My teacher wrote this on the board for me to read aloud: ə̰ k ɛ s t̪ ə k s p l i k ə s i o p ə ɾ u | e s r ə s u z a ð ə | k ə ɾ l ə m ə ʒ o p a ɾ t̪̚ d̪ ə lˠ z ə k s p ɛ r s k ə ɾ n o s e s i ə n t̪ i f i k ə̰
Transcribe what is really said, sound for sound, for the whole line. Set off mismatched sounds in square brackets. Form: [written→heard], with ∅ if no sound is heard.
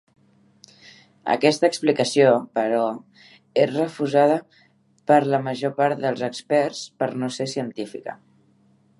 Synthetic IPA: ə̰ k ɛ s t̪ ə k s p l i k ə s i o p ə ɾ [u→ɔ] | e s r ə [s→f] u z a ð ə | [k→p] ə ɾ l ə m ə ʒ o p a ɾ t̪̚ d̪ ə lˠ z ə k s p ɛ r s [k→p] ə ɾ n o s e s i ə n t̪ i f i k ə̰

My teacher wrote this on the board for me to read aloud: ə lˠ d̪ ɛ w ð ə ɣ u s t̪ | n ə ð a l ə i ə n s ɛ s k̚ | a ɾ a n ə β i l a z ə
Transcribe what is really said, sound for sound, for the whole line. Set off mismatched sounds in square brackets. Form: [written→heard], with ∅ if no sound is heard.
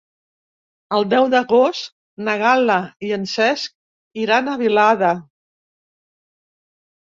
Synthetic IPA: ə lˠ d̪ ɛ w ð ə ɣ [u→o] s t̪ | n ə [ð→ɣ] a l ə i ə n s ɛ s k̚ | [a→i] ɾ a n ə β i l a [z→ð] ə

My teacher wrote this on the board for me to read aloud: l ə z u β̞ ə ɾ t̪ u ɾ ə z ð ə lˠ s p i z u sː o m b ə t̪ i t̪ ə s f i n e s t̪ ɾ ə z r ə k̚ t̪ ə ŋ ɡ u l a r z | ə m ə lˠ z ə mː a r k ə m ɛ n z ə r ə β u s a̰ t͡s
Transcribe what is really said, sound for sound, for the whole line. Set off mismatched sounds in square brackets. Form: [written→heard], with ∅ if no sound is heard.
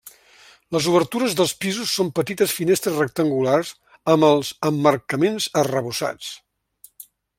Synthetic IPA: l ə z u β̞ ə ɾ t̪ u ɾ ə z ð ə lˠ s p i z u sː o m [b→p] ə t̪ i t̪ ə s f i n e s t̪ ɾ ə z r ə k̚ t̪ ə ŋ ɡ u l a r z | ə m ə lˠ z ə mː [a→ə] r k ə m [ɛ→e] n z ə r ə β u s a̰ t͡s

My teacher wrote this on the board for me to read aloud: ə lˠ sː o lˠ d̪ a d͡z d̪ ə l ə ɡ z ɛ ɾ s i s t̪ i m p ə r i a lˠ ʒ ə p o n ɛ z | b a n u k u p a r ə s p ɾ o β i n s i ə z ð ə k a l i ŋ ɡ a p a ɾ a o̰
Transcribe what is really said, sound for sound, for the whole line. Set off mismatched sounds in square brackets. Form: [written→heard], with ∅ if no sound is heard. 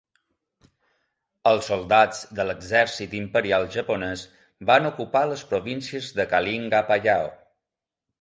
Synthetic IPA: ə lˠ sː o lˠ d̪ a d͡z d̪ ə l ə ɡ z ɛ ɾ s i [s→∅] t̪ i m p ə [r→ɾ] i a lˠ ʒ ə p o n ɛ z | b a n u k u p a [r→l] ə s p ɾ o β i n s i ə z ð ə k a l i ŋ ɡ a p a [ɾ→ʎ] a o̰

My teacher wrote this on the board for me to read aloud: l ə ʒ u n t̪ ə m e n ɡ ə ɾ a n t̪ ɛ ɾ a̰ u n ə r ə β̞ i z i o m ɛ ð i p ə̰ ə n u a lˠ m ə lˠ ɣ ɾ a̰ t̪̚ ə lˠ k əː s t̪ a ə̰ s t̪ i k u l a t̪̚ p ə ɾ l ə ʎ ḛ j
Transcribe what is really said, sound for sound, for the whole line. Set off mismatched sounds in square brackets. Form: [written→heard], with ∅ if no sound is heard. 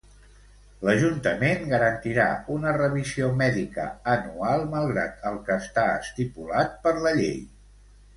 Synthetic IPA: l ə ʒ u n t̪ ə m e n ɡ ə ɾ [a→ə] n t̪ [ɛ→i] ɾ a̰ u n ə r ə β̞ i z i o m ɛ ð i [p→k] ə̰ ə n u a lˠ m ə lˠ ɣ ɾ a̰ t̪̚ ə lˠ k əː s t̪ a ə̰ s t̪ i [k→p] u l a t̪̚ p ə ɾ l ə ʎ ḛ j

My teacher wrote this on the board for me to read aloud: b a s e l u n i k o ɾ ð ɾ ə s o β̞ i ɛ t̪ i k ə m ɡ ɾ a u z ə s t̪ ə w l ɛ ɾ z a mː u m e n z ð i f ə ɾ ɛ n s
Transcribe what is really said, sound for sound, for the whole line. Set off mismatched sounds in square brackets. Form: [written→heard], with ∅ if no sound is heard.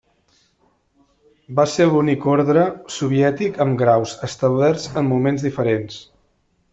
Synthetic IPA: b a s e l u n i k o ɾ ð ɾ ə s [o→u] β̞ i ɛ t̪ i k ə m ɡ ɾ a [u→w] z ə s t̪ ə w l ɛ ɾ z [a→ə] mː u m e n z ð i f ə ɾ [ɛ→e] n s

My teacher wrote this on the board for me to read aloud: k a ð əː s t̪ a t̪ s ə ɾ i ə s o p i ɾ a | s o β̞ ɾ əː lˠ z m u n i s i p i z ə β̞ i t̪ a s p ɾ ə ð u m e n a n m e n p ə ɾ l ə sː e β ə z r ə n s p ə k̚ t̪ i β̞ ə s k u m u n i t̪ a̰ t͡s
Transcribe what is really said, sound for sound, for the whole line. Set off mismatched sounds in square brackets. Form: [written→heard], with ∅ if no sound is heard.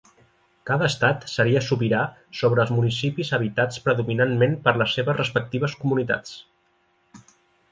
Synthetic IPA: k a ð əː s t̪ a t̪ s ə ɾ i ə s [o→u] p i ɾ a | s o β̞ ɾ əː lˠ z m u n i s i p i z ə β̞ i t̪ a [s→t͡s] p ɾ ə ð u m [e→i] n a n m e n p ə ɾ l ə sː e β ə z r ə [n→∅] s p ə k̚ t̪ i β̞ ə s k u m u n i t̪ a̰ t͡s

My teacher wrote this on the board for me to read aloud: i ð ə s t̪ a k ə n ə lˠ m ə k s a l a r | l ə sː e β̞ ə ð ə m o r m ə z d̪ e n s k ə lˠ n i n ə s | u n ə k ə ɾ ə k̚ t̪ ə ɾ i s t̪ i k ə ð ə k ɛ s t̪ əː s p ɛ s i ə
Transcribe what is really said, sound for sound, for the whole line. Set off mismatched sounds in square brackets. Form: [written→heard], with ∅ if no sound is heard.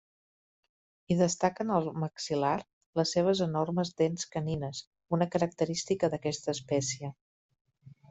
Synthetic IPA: i ð ə s t̪ a k ə n ə lˠ m ə k s [a→i] l a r | l ə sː e β̞ ə [ð→z] ə [m→n] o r m ə z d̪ e n s k ə [lˠ→∅] n i n ə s | u n ə k ə ɾ ə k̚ t̪ ə ɾ i s t̪ i k ə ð ə k ɛ s t̪ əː s p ɛ s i ə

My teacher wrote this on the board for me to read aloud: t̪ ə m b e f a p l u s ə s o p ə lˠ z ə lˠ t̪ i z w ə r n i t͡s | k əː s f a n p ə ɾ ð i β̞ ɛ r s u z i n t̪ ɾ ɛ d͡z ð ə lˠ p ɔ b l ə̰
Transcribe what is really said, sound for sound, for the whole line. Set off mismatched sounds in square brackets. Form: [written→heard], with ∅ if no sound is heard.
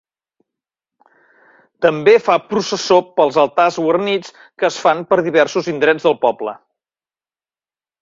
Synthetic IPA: t̪ ə m b e f a p [l→ɾ] u s ə s o p ə lˠ z ə lˠ t̪ [i→a] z w ə r n i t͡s | k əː s f a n p ə ɾ ð i β̞ ɛ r s u z i n [t̪→d̪] ɾ ɛ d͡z ð ə lˠ p ɔ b l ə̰

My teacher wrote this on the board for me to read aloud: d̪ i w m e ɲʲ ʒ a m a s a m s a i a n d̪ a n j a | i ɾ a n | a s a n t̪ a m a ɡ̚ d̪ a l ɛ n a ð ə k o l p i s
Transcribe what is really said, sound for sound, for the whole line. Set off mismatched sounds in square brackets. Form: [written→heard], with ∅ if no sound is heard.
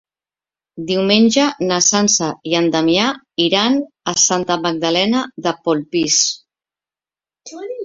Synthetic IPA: d̪ i w m e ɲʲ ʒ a [m→n] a s a [m→n] s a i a n d̪ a [n→m] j a | i ɾ a n | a s a n t̪ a m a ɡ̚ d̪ a l ɛ n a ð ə [k→p] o l p i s

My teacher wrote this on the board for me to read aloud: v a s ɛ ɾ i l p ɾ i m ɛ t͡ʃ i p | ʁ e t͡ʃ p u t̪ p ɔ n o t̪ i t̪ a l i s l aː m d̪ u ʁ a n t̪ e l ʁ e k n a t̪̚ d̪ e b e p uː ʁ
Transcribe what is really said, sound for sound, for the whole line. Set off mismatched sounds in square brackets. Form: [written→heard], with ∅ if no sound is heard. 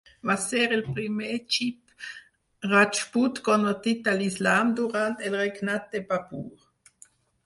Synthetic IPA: v a s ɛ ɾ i l p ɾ i m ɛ t͡ʃ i p | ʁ [e→a] t͡ʃ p u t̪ [p→k] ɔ n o t̪ i t̪ a l i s l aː m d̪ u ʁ a n t̪ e l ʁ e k n a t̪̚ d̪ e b [e→a] p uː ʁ

